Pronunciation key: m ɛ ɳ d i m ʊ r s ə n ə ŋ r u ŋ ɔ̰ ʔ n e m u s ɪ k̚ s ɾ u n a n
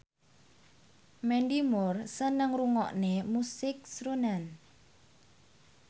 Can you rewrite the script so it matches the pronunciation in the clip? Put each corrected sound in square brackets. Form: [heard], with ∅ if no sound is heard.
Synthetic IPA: m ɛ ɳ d i m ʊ r s ə n ə ŋ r u ŋ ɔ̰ ʔ n e m u s ɪ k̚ s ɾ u n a n